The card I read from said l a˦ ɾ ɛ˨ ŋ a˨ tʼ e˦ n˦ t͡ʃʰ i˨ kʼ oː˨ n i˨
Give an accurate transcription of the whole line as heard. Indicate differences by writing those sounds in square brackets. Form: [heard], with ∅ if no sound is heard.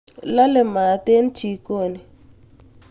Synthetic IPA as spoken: l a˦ [l] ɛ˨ [m] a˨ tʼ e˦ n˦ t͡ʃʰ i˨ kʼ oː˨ n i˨